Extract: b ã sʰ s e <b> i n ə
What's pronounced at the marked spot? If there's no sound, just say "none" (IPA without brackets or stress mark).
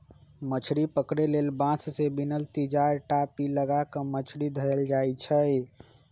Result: b